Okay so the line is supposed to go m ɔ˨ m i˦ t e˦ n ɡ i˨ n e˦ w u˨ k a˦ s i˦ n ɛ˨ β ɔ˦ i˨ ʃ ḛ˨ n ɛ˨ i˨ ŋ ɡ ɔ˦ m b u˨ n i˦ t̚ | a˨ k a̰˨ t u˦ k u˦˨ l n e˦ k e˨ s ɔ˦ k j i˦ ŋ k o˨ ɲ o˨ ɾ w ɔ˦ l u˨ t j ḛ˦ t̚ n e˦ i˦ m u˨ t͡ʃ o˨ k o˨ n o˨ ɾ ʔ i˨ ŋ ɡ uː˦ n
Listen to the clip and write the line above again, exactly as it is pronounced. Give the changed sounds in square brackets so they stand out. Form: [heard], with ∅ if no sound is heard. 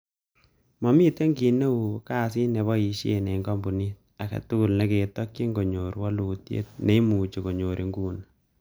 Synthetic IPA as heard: m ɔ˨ m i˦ t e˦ [ŋ] ɡ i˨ n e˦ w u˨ k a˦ s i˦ n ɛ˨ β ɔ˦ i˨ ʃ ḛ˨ n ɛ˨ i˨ ŋ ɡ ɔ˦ m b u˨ n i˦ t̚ | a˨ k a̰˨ t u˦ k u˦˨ l n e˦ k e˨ [t] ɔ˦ k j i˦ ŋ [ɡ] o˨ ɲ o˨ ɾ w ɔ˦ l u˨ t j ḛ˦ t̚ n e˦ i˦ m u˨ t͡ʃ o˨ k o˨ [ɲ] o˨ ɾ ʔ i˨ ŋ ɡ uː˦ n